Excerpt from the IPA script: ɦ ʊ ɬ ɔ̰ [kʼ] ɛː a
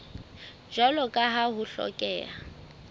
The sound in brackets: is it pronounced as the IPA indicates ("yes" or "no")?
yes